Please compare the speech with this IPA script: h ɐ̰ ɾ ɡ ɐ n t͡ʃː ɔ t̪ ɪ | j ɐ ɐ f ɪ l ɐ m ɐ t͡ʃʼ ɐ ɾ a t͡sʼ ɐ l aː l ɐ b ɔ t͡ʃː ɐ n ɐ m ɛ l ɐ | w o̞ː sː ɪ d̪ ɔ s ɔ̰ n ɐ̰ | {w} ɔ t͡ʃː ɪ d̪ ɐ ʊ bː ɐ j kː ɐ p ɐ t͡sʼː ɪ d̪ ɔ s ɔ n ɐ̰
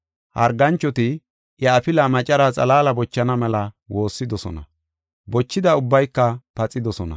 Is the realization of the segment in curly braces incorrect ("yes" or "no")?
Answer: yes